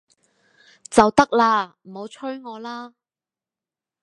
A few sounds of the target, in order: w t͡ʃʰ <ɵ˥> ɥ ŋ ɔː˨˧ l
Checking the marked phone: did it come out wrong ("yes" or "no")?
no